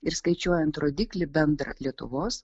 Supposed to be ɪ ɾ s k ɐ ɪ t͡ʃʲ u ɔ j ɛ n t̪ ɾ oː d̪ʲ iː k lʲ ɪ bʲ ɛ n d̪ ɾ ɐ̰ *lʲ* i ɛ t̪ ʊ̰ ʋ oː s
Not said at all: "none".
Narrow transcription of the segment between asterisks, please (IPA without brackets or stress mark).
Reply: lʲ